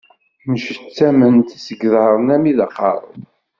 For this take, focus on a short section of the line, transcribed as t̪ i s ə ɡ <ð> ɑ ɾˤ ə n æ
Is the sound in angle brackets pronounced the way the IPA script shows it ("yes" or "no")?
yes